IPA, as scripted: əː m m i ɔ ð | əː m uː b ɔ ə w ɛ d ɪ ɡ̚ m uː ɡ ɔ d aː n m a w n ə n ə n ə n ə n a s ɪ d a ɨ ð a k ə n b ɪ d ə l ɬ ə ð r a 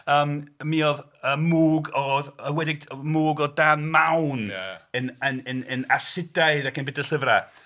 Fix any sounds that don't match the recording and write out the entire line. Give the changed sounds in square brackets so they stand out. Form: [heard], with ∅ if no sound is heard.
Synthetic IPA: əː m m i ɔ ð | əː m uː [ɡ] ɔ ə w ɛ d ɪ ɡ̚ m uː ɡ ɔ d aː n m a w n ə n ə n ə n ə n a s ɪ d a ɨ ð a k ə n b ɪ d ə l ɬ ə [v] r a